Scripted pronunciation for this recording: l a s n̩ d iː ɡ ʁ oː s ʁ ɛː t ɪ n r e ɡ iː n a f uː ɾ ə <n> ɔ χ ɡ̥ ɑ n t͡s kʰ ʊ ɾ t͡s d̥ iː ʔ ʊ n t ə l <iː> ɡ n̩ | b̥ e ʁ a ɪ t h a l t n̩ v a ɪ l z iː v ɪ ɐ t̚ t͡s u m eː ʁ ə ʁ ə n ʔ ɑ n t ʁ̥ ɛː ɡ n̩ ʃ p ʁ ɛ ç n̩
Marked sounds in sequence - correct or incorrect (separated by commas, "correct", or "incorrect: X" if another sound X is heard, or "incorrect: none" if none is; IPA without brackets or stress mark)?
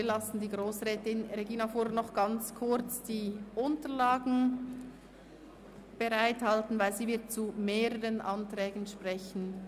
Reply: correct, incorrect: aː